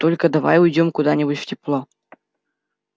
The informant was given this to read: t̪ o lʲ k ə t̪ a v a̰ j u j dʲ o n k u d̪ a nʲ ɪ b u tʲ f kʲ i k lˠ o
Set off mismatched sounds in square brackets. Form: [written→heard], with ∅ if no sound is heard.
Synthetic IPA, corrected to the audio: t̪ o lʲ k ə [t̪→d̪] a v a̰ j u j dʲ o [n→m] k u d̪ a nʲ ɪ b u tʲ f [kʲ→tʲ] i [k→p] lˠ o